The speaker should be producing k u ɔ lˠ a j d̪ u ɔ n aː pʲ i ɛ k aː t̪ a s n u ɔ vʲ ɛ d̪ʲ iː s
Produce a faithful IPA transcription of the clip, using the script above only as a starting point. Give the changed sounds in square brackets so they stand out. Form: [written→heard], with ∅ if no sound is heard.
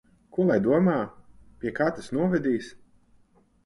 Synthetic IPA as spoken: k u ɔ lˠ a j d̪ u ɔ [n→m] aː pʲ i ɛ k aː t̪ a s n u ɔ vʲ ɛ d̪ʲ iː s